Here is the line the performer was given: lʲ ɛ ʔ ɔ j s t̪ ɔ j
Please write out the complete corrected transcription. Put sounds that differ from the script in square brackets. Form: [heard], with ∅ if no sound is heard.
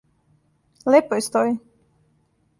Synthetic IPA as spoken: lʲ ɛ [p] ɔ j s t̪ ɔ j